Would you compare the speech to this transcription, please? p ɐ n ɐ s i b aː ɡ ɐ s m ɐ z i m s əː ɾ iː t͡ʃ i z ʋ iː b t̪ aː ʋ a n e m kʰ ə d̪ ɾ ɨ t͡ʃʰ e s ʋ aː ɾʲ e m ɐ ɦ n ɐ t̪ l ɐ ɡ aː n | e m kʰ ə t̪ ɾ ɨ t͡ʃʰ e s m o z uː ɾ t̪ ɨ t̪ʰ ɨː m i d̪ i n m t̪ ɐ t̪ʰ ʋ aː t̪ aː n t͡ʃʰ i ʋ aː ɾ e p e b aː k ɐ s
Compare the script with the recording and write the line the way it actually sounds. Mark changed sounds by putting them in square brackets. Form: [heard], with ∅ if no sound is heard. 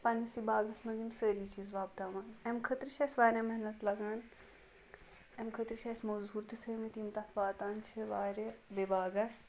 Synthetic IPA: p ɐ n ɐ s i b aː ɡ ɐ s m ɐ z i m s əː ɾ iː t͡ʃ i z ʋ [aː] b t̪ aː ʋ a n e m kʰ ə [t̪] ɾ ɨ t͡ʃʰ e s ʋ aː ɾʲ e m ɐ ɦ n ɐ t̪ l ɐ ɡ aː n | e m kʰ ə t̪ ɾ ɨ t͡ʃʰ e s m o z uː ɾ t̪ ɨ t̪ʰ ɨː m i [t̪] i [∅] m t̪ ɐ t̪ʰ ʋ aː t̪ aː n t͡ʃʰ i ʋ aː ɾ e [b] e b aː [ɡ] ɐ s